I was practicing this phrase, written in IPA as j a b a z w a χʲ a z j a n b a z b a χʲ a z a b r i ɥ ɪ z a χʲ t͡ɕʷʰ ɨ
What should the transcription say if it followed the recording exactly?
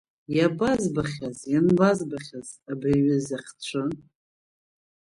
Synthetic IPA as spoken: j a b a z b a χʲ a z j a n b a z b a χʲ a z a b r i ɥ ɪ z a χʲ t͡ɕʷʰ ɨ